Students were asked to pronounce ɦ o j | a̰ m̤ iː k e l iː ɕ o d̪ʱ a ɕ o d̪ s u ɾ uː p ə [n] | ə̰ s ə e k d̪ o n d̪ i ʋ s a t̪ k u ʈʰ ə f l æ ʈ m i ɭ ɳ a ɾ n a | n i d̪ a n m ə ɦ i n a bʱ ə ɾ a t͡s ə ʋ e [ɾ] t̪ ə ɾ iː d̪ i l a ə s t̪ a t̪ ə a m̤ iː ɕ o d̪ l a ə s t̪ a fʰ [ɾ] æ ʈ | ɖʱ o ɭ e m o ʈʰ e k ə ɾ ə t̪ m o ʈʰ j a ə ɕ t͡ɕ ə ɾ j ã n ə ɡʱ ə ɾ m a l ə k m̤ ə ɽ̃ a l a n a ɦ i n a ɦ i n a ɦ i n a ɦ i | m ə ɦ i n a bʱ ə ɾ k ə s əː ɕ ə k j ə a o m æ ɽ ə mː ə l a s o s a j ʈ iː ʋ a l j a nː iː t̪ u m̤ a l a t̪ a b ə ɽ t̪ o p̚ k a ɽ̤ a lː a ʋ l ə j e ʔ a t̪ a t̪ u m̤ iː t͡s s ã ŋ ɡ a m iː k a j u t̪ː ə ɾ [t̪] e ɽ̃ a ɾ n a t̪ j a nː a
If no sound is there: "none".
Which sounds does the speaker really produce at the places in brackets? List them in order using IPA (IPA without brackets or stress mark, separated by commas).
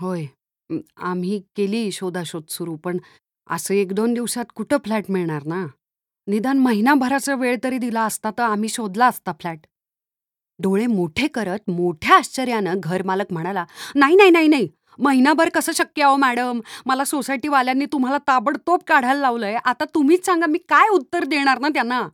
ɳ, ɭ, l, d̪